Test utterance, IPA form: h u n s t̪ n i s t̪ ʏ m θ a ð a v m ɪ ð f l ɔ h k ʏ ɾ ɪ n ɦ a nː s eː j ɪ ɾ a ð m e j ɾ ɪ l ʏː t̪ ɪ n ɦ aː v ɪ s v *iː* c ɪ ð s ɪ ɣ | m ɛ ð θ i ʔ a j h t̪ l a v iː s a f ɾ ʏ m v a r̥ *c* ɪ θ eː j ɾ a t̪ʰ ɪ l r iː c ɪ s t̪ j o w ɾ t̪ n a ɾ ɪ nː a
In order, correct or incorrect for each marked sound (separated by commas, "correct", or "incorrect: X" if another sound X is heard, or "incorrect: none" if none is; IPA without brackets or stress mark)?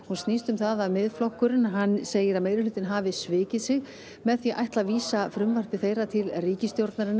incorrect: ɪː, incorrect: p